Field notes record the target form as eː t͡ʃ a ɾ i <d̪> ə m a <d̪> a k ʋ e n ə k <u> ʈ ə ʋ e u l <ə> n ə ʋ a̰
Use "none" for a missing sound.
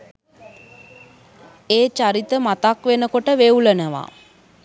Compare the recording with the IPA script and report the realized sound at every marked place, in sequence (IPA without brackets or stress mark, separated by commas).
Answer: t̪, t̪, o, ə